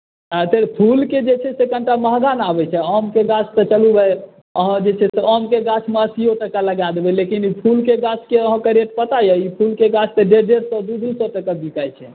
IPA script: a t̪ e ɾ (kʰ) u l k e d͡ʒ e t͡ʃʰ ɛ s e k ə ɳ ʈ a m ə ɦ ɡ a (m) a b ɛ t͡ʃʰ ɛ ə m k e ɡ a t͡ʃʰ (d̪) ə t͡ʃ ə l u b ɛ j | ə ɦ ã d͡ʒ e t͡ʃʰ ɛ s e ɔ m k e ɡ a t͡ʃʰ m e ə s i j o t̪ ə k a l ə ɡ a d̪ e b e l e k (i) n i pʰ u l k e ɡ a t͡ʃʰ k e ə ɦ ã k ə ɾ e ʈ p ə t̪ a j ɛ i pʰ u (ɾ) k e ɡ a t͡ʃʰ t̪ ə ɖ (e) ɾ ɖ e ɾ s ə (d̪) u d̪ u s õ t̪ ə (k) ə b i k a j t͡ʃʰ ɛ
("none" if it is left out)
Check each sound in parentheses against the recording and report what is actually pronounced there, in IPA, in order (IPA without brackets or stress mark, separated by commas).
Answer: pʰ, n, t̪, i, l, e, d̪, k